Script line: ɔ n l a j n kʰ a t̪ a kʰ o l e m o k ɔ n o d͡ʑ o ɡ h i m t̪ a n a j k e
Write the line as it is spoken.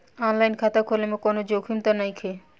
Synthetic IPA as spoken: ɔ n l a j n kʰ a t̪ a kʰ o l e m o k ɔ n o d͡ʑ o ɡ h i m t̪ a n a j kʰ e